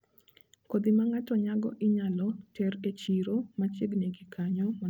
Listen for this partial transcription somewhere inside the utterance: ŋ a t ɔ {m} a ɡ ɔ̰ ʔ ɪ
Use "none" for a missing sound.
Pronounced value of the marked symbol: ɲ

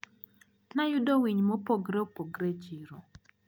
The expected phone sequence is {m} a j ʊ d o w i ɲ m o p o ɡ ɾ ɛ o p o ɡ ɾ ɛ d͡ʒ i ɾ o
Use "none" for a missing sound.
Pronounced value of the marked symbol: n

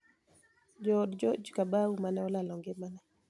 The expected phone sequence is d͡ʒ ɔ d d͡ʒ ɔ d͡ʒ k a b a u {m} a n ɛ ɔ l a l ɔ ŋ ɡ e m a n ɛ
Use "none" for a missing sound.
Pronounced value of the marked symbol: m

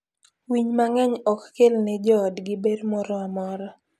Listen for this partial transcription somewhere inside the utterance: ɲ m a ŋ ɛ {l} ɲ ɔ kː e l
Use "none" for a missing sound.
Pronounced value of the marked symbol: none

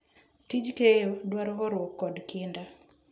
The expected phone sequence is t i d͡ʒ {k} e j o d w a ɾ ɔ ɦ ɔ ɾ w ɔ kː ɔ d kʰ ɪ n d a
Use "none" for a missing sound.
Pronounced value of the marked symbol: k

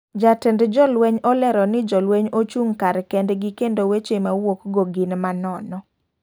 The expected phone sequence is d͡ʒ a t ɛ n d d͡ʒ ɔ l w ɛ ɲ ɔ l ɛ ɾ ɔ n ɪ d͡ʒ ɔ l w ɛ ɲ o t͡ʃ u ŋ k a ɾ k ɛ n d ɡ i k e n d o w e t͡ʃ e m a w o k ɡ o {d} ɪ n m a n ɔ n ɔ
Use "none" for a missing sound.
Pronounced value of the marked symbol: ɡ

